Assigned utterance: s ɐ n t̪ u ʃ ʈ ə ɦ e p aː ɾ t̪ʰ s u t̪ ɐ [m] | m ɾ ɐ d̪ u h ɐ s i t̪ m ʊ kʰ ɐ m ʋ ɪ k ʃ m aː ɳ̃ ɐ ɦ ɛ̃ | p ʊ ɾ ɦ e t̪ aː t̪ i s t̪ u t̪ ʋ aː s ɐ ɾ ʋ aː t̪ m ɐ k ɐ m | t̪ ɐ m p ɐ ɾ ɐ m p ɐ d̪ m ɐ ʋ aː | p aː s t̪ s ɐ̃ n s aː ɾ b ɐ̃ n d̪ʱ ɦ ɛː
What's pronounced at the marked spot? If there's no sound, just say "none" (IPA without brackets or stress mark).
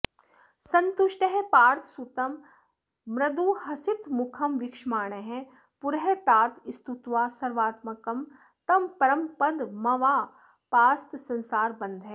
m